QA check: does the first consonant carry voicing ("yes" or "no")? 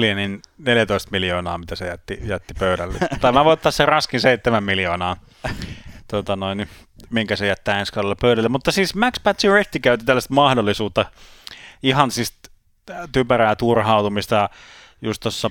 yes